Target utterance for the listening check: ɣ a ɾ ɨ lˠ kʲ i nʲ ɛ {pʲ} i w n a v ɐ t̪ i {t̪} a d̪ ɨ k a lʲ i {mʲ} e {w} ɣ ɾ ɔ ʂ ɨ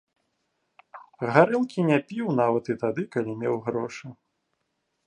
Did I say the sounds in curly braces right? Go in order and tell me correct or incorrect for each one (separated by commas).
correct, correct, correct, correct